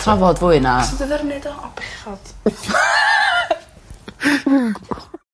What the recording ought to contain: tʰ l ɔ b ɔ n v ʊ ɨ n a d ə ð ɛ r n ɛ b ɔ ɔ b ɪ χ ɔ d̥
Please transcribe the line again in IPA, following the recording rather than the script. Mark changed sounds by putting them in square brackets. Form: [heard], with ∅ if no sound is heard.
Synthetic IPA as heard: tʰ [r] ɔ [v] ɔ [d] v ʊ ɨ n a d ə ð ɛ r n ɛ [d] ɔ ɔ b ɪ χ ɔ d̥